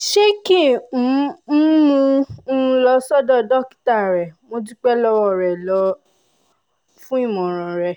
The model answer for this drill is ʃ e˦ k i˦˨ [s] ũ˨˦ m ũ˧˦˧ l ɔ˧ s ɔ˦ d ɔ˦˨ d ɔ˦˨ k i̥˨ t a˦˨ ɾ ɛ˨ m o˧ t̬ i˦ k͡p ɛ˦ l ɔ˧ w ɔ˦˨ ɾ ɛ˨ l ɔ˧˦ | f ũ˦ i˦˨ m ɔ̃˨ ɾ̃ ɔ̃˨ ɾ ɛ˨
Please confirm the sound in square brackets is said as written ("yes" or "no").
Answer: no